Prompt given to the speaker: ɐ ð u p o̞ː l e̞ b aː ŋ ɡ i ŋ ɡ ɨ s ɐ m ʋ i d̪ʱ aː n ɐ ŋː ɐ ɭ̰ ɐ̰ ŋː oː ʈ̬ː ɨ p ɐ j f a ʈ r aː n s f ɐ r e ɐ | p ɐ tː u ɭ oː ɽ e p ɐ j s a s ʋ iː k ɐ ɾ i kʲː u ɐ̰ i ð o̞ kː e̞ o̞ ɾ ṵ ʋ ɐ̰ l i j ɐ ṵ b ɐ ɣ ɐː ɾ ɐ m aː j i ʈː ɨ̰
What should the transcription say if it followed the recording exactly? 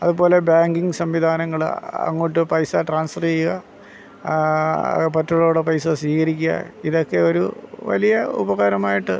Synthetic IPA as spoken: ɐ ð u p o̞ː l e̞ b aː ŋ ɡ i ŋ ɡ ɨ s ɐ m ʋ i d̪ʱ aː n ɐ ŋː ɐ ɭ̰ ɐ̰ ŋː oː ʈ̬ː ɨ p ɐ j s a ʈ r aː n s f ɐ r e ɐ | p ɐ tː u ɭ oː ɽ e p ɐ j s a s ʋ iː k ɐ ɾ i kʲː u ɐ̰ i ð o̞ kː e̞ o̞ ɾ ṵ ʋ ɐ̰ l i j ɐ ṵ b ɐ ɣ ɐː ɾ ɐ m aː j i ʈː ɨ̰